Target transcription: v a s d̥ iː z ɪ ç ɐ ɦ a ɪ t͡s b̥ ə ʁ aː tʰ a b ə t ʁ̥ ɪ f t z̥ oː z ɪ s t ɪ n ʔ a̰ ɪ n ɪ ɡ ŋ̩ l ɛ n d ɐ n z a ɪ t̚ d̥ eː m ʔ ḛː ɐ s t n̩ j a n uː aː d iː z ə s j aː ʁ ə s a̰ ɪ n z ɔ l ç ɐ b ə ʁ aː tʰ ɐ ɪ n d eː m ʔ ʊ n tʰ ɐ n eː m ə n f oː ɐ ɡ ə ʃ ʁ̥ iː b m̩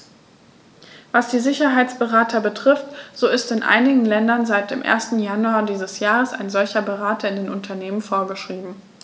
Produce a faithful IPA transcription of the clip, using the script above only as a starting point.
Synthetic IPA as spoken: v a s d̥ iː z ɪ ç ɐ ɦ a ɪ t͡s b̥ ə ʁ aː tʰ ɐ b ə t ʁ̥ ɪ f t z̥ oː ɪ s t ɪ n ʔ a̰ ɪ n ɪ ɡ ŋ̩ l ɛ n d ɐ n z a ɪ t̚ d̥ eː m ʔ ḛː ɐ s t n̩ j a n u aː d iː z ə s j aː ʁ ə s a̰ ɪ n z ɔ l ç ɐ b ə ʁ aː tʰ ɐ ɪ n d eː n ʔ ʊ n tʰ ɐ n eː m ə n f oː ɐ ɡ ə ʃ ʁ̥ iː b m̩